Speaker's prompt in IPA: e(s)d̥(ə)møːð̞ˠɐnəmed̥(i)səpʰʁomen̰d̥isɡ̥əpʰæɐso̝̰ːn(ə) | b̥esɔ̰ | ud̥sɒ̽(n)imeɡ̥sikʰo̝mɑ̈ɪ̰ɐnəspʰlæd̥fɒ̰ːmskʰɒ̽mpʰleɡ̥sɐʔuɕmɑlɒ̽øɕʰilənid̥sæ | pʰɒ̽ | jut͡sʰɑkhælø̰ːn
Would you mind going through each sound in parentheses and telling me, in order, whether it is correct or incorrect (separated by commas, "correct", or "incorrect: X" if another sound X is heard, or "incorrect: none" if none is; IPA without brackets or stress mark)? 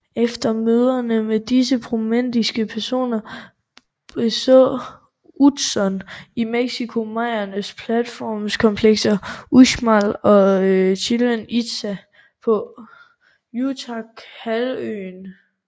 incorrect: f, incorrect: ɐ, correct, incorrect: ɐ, correct